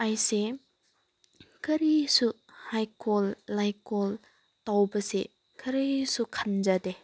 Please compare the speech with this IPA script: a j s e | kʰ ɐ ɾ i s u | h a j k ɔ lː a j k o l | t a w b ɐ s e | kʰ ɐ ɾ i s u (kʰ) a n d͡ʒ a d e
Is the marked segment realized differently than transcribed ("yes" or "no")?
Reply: no